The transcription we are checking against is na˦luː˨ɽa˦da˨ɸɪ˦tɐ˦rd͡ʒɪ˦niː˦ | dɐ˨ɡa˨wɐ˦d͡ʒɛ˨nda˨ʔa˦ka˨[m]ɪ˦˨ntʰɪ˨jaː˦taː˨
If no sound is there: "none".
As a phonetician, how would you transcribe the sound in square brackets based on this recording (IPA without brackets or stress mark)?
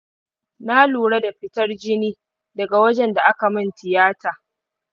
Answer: m